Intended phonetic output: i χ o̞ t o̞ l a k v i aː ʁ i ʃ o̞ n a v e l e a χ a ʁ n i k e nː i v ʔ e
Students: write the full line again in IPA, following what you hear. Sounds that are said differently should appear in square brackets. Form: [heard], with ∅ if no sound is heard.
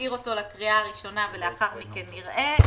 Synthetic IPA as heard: i [ʁ] o̞ t o̞ l a k [ʁ] i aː ʁ i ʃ o̞ n a v e l e a χ a ʁ [m] i k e nː i [ʁ] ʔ e